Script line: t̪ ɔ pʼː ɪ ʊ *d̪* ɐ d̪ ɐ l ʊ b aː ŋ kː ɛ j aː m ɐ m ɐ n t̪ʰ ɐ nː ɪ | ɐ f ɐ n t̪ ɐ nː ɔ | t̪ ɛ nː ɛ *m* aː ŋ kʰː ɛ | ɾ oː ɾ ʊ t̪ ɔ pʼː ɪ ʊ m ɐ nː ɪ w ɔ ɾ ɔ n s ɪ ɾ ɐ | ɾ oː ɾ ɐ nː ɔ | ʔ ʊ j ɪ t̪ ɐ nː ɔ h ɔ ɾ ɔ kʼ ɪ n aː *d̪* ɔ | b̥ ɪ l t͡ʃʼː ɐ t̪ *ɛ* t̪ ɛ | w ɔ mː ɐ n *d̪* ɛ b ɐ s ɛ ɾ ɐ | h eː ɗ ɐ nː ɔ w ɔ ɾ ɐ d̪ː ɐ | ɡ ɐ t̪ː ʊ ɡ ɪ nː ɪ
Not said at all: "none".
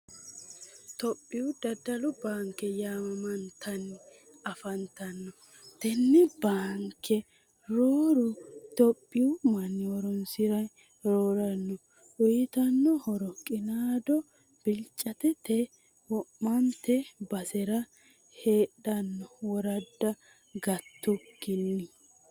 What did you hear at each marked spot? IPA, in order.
d̪, b, d̪, ɛ, t̪

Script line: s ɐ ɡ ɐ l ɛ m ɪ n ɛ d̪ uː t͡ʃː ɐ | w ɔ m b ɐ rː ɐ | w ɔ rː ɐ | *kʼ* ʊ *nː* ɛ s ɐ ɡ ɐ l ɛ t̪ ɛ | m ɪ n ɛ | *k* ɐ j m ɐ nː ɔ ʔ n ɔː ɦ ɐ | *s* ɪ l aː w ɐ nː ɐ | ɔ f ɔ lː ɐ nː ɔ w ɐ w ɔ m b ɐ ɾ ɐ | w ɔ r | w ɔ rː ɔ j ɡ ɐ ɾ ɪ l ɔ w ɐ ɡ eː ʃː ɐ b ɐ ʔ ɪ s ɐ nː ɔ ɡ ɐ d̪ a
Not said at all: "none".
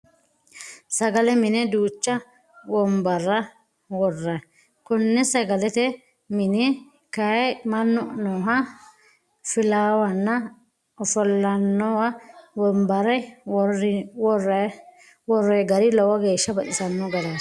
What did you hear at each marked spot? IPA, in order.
k, nː, k, f

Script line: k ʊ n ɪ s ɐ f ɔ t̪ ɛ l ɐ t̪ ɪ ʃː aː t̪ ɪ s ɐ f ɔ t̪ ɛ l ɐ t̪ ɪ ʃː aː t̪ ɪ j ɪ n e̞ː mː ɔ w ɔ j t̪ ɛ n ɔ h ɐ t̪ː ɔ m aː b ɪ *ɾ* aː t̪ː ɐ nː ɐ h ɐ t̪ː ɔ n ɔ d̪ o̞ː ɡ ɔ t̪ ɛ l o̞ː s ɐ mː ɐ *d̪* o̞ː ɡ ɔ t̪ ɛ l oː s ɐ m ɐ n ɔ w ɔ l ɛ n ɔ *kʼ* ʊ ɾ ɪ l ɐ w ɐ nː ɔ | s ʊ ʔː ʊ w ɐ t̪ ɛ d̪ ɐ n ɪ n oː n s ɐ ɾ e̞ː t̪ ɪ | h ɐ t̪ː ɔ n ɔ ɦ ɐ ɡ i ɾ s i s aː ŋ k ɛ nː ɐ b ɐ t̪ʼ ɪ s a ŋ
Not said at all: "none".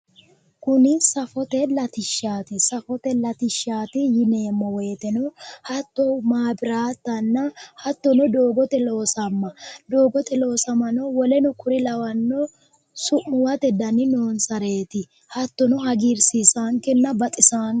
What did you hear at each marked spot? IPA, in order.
ɾ, d̪, k

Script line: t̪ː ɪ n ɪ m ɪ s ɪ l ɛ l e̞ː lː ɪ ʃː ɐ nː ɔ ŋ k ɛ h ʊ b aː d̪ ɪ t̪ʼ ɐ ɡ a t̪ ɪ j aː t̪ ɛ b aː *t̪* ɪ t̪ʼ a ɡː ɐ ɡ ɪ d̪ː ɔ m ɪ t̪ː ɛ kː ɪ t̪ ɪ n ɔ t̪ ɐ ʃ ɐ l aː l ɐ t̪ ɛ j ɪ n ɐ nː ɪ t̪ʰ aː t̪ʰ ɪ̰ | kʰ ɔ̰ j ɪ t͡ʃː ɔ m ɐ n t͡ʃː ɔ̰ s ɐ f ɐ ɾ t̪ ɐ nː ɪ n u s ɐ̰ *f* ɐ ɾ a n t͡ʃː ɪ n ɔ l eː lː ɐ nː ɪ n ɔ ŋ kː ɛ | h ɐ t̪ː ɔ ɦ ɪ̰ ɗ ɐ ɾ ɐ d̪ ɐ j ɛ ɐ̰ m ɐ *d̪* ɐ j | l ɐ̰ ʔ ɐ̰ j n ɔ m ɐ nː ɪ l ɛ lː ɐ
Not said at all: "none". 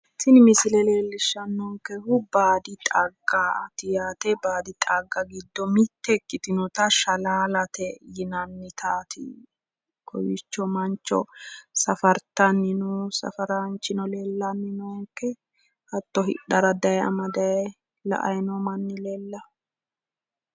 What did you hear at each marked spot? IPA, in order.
d̪, f, d̪

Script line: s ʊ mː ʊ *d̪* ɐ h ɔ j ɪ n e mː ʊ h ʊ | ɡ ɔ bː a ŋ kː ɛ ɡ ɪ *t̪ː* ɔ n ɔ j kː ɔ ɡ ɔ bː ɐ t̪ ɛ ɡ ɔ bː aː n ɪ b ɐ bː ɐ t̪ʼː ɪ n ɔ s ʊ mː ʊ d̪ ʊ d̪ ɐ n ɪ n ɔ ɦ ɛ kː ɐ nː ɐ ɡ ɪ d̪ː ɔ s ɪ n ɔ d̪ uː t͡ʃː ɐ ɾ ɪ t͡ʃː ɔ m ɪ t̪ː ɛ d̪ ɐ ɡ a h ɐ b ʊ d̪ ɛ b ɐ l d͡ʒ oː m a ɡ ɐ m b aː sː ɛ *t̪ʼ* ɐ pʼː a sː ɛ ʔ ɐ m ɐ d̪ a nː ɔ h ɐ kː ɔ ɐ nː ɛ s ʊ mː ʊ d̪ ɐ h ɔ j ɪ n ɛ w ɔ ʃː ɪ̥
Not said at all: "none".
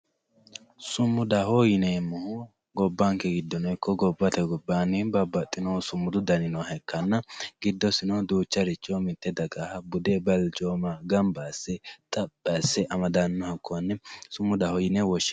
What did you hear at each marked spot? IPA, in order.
d̪, d̪ː, t̪ʼ

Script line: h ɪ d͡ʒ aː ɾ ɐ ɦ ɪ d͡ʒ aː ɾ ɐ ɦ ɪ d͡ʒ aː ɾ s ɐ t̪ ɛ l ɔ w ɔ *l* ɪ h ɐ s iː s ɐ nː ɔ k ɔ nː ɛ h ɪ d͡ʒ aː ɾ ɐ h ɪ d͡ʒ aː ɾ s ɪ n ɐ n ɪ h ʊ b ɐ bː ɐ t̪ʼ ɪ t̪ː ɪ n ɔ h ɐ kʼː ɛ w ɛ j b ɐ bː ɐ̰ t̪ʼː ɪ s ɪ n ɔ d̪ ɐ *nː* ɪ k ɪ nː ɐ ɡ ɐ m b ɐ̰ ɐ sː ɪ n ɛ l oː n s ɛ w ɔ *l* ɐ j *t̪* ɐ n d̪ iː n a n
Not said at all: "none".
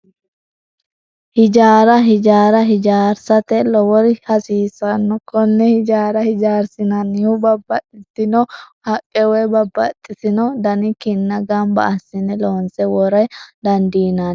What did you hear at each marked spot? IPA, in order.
ɾ, n, ɾ, d̪

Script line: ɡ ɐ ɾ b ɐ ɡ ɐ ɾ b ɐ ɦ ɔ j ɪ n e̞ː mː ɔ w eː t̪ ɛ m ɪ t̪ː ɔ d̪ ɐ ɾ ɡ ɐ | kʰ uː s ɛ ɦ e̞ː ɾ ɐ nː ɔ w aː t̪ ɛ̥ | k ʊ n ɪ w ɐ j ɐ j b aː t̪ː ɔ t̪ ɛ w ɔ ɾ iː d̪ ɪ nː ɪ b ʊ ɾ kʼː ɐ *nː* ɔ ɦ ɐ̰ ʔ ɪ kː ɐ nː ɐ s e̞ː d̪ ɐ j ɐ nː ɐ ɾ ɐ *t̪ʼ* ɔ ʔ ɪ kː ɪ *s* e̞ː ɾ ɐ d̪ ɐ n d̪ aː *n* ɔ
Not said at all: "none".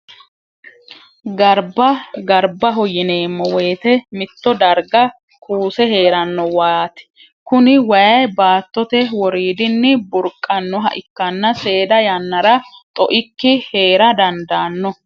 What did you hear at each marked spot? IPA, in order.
nː, t̪ʼ, h, nː

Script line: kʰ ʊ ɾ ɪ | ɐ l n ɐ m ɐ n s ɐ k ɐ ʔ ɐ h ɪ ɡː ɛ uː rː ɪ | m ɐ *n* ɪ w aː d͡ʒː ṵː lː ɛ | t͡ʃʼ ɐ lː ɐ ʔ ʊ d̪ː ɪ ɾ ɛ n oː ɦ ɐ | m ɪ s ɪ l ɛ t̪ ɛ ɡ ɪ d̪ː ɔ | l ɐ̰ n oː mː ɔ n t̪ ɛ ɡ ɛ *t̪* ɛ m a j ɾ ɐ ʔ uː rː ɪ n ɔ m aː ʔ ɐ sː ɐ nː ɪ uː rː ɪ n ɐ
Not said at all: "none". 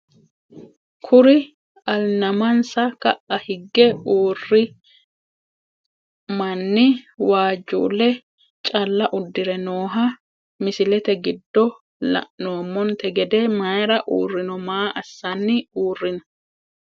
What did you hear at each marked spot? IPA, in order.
nː, d̪

